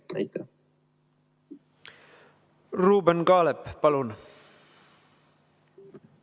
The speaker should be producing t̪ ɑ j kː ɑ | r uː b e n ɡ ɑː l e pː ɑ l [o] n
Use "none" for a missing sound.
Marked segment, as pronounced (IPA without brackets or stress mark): u